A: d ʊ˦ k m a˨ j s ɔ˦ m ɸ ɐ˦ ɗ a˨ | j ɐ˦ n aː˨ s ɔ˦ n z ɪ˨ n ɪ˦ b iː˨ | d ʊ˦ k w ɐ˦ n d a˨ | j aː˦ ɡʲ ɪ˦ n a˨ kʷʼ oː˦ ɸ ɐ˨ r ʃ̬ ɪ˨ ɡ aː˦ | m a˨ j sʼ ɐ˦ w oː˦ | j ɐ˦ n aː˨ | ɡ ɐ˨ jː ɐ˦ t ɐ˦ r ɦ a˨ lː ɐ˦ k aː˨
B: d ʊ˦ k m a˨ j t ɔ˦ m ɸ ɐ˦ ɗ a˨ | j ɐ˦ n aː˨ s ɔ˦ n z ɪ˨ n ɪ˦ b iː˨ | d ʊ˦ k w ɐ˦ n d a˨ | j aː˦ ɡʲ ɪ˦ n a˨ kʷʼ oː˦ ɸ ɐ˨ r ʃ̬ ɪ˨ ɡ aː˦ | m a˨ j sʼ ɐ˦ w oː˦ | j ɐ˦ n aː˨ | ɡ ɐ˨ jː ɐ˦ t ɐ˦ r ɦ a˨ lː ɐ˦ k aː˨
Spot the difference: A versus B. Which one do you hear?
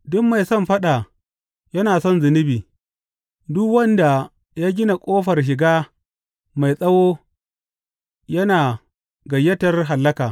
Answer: A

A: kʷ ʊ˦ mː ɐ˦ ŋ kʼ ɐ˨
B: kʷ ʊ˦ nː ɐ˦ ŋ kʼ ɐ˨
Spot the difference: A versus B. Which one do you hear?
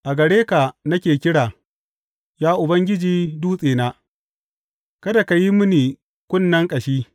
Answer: B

